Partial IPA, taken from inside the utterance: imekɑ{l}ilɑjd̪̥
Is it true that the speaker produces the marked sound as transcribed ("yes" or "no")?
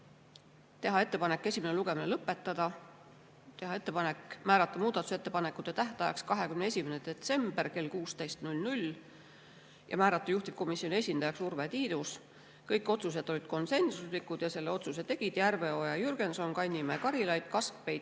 no